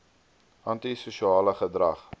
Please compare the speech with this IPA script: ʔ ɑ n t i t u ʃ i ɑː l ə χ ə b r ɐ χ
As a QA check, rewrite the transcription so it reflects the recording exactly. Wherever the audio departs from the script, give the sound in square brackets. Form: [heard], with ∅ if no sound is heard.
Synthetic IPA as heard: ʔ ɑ n t i [s] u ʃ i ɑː l ə χ ə [d] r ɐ χ